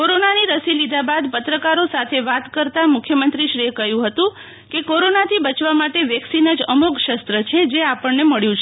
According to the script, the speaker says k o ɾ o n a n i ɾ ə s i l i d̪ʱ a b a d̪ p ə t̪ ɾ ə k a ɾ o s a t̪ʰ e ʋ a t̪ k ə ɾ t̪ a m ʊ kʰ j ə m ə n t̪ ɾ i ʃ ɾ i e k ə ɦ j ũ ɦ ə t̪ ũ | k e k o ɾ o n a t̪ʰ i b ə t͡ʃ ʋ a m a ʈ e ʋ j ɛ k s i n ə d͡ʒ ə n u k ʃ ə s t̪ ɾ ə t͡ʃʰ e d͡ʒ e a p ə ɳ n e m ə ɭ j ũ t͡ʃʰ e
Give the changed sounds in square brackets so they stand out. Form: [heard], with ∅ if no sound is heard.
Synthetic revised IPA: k o ɾ o n a n i ɾ ə s i l i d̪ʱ a b a d̪ p ə t̪ ɾ ə k a ɾ o s a t̪ʰ e ʋ a t̪ k ə ɾ t̪ a m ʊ kʰ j ə m ə n t̪ ɾ i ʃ ɾ i e k ə ɦ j ũ ɦ ə t̪ ũ | k e k o ɾ o n a t̪ʰ i b ə t͡ʃ ʋ a m a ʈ e ʋ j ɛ k s i n ə d͡ʒ ə [m] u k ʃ ə s t̪ ɾ ə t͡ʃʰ e d͡ʒ e a p ə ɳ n e m ə ɭ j ũ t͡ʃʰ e